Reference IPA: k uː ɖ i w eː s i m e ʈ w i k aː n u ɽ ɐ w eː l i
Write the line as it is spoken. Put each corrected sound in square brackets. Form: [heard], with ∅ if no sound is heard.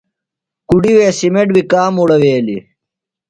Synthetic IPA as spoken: k [u] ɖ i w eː s i m e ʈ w i k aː [m] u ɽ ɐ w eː l i